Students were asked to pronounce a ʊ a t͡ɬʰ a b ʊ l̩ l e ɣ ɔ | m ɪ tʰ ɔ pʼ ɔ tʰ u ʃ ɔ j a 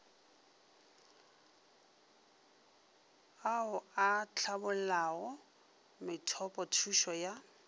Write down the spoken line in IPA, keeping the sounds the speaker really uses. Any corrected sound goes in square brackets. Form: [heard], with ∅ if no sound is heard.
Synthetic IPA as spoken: a ʊ a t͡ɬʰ a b ʊ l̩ l [a] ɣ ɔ | m ɪ tʰ ɔ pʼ ɔ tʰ u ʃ ɔ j a